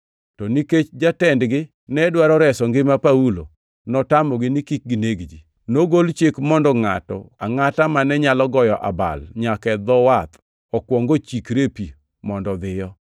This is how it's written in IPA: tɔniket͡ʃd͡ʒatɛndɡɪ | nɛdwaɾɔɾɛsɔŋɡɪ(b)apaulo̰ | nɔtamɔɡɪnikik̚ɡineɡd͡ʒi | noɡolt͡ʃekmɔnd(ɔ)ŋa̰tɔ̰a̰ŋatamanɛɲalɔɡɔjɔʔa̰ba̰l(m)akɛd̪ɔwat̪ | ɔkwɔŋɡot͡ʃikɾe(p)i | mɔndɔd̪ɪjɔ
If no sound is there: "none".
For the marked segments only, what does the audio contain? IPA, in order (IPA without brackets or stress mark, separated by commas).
m, ɔ, ɲ, p